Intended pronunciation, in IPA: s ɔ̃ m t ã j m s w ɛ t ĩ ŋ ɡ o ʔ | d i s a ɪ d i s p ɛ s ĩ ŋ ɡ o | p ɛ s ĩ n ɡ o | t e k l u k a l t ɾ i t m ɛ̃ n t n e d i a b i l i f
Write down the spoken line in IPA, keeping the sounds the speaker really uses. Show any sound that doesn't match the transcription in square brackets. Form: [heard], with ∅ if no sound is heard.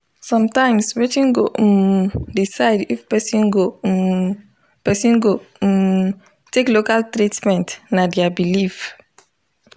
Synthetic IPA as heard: s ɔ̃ m t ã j m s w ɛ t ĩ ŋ ɡ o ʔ | d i s a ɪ d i [f] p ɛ s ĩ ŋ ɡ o | p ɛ s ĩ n ɡ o | t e k l [o] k a l t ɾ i t m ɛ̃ n t n [a] d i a b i l i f